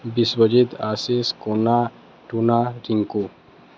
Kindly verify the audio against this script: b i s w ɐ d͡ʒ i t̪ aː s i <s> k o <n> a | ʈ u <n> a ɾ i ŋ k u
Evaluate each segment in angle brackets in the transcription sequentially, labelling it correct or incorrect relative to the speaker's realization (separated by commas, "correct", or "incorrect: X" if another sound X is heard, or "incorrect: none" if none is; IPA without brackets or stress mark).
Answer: correct, correct, correct